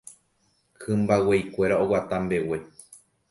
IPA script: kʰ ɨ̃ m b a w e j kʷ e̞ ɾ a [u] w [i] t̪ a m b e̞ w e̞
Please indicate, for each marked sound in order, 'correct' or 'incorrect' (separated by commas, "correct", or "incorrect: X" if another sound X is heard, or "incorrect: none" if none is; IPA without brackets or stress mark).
incorrect: o, incorrect: a